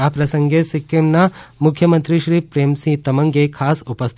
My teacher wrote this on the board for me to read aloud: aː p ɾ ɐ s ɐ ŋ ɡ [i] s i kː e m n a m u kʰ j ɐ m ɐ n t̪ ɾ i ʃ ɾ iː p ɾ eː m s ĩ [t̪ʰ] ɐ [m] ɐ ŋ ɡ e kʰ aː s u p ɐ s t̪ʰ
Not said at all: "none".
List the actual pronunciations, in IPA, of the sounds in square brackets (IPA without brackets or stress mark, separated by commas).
e, t̪, m